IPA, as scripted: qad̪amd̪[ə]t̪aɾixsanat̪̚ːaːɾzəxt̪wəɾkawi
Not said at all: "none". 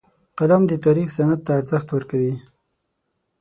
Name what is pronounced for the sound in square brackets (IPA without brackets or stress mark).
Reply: ə